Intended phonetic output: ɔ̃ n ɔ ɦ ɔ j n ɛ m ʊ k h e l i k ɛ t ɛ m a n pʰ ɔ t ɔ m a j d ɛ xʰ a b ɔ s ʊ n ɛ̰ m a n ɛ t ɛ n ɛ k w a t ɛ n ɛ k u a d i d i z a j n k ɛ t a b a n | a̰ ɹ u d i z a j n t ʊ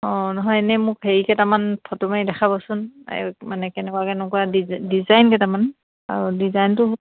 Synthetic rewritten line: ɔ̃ n ɔ ɦ ɔ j n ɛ m ʊ k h e ɹ i k ɛ t a m a n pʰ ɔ t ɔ m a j d ɛ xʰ a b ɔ s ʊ n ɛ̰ m a n ɛ k ɛ n ɛ k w a k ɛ n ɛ k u a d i d i z a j n k ɛ t a m a n | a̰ ɹ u d i z a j n t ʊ